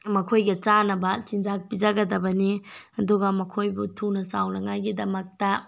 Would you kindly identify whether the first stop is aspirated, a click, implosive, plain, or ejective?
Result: aspirated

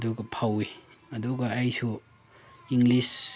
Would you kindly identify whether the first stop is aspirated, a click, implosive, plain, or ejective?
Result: plain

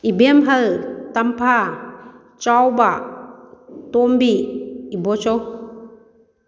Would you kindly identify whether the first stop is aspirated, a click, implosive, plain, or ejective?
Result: plain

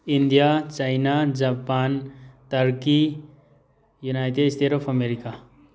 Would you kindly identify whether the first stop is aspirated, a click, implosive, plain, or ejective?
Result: plain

